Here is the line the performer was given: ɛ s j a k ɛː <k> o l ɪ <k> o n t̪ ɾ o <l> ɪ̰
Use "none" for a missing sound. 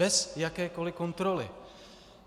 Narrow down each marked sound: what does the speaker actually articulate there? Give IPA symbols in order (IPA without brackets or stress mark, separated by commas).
k, k, l